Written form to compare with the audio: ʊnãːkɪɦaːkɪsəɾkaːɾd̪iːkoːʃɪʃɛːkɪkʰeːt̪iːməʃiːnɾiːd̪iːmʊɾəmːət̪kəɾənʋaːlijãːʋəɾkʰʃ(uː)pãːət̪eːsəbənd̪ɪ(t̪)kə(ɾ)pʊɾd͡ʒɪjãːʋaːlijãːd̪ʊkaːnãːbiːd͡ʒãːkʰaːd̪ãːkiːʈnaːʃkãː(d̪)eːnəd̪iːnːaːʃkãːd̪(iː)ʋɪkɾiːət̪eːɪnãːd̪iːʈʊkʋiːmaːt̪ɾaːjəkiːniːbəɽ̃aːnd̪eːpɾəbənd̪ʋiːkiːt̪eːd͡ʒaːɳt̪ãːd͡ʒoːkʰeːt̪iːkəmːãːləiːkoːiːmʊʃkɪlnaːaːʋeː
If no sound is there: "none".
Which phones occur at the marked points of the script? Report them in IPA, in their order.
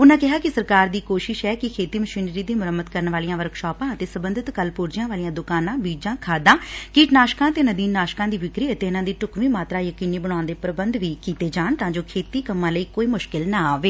ɔː, t̪, l, t̪, iː

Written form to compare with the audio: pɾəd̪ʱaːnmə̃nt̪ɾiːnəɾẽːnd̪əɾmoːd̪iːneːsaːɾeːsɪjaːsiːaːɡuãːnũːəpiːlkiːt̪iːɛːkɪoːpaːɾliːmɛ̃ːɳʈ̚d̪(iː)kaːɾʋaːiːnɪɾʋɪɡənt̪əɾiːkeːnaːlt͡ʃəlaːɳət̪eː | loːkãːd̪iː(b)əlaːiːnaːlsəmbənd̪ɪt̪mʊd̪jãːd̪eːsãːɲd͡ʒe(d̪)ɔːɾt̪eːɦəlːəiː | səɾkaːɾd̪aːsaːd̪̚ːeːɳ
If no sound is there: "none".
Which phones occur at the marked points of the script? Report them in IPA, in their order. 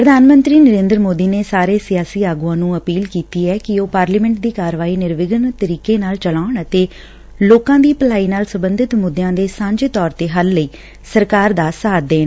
iː, p, t̪

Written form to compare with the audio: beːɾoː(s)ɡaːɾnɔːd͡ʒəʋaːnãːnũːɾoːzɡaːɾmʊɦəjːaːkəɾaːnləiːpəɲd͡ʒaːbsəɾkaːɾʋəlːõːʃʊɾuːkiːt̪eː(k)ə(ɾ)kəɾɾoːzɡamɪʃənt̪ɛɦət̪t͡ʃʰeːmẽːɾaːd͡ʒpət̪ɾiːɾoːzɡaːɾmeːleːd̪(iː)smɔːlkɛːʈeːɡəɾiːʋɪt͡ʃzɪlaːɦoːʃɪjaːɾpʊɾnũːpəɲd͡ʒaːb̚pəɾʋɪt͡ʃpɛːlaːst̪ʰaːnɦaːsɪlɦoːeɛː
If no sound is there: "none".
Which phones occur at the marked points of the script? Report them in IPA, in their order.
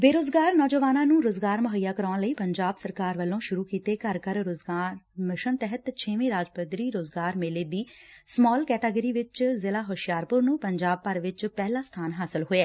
z, k, ɾ, iː

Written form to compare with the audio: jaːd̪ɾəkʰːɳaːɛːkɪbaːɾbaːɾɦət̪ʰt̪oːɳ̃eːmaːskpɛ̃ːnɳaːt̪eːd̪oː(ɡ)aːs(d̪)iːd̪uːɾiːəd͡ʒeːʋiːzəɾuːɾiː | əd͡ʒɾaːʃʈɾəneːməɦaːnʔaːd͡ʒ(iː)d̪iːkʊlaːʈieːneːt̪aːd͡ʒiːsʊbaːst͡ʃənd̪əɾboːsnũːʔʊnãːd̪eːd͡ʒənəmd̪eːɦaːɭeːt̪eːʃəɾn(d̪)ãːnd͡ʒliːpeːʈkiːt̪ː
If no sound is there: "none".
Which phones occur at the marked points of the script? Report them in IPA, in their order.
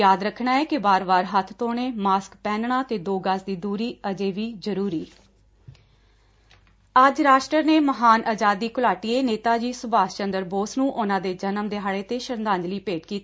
ɡ, d̪, aː, d̪

